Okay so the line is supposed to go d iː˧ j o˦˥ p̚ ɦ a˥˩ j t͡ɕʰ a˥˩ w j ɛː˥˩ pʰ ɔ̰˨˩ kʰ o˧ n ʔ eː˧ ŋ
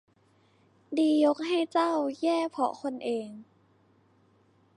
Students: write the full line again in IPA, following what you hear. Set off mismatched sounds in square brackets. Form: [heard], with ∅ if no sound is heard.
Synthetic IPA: d iː˧ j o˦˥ [k̚] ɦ a˥˩ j [t͡ɕ] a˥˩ w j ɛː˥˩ pʰ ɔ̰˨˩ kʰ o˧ n ʔ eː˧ ŋ

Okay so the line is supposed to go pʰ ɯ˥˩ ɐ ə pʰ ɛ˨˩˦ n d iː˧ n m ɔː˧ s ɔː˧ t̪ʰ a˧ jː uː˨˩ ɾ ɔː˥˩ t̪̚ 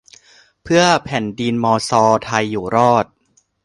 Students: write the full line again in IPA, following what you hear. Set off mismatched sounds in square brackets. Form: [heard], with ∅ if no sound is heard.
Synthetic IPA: pʰ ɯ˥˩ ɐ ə pʰ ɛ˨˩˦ n d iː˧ n m ɔː˧ s ɔː˧ t̪ʰ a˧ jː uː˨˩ ɾ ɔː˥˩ t̪̚

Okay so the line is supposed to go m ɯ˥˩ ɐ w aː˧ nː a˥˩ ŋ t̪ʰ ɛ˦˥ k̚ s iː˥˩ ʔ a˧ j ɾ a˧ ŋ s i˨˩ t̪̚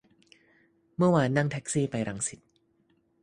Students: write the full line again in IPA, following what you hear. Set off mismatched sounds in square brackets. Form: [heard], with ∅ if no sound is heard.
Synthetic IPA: m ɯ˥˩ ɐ w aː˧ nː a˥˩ ŋ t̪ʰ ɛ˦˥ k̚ s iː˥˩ [p] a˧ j ɾ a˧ ŋ s i˨˩ t̪̚

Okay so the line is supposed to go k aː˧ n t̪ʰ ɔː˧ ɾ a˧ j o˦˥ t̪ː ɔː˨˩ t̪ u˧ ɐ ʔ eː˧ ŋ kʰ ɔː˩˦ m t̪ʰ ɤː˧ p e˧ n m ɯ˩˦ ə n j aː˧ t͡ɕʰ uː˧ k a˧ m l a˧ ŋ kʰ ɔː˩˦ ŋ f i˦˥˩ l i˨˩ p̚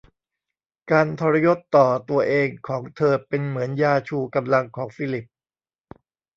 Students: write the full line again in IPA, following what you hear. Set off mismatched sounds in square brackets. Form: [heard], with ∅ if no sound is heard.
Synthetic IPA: k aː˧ n t̪ʰ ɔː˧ ɾ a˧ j o˦˥ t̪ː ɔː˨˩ t̪ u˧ ɐ ʔ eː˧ ŋ kʰ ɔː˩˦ [ŋ] t̪ʰ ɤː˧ p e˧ n m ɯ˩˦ ə n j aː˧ t͡ɕʰ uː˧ k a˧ m l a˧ ŋ kʰ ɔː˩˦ ŋ f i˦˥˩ l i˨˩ p̚

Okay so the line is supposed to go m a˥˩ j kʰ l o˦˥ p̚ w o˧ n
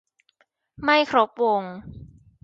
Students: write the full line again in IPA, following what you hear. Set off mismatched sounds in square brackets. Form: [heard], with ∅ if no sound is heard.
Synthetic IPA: m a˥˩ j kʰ [ɾ] o˦˥ p̚ w o˧ [ŋ]

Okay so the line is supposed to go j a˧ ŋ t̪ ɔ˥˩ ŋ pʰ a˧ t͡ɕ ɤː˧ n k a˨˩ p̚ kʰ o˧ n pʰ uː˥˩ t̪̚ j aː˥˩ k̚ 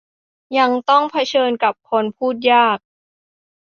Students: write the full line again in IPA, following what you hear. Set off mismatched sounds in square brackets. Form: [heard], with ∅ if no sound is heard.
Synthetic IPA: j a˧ ŋ t̪ ɔ˥˩ ŋ pʰ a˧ [t͡ɕʰ] ɤː˧ n k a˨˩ p̚ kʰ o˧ n pʰ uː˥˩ t̪̚ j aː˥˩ k̚

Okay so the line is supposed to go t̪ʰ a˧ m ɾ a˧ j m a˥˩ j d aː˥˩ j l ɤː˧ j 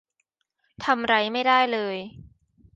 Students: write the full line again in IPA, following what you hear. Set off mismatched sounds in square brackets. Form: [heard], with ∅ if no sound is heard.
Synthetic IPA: t̪ʰ a˧ m ɾ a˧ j m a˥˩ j d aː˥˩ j l ɤː˧ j

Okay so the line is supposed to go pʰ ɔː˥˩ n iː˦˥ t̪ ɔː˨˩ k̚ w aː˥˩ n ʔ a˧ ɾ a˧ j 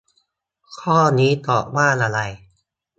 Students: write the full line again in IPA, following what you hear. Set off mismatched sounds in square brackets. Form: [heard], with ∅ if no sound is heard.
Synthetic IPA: [kʰ] ɔː˥˩ n iː˦˥ t̪ ɔː˨˩ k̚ w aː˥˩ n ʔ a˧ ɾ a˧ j

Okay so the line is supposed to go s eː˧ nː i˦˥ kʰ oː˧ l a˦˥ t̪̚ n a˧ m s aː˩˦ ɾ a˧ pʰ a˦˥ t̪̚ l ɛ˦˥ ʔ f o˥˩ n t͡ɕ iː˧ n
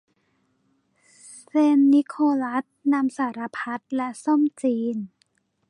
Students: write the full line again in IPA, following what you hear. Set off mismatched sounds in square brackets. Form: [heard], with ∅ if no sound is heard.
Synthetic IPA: s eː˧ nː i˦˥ kʰ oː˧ l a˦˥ t̪̚ n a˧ m s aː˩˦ ɾ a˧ pʰ a˦˥ t̪̚ l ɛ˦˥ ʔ [s] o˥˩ [m] t͡ɕ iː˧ n

